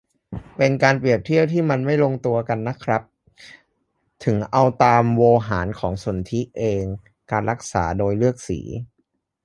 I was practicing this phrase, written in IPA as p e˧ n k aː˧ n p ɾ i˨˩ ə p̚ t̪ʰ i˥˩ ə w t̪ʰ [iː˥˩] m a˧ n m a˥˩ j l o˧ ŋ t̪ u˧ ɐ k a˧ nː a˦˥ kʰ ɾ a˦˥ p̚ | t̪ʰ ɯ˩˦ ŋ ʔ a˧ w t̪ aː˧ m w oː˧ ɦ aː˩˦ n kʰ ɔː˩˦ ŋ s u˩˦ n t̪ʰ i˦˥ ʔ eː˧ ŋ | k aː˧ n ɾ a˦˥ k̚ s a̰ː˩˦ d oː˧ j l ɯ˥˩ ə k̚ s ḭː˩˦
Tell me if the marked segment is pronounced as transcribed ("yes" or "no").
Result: yes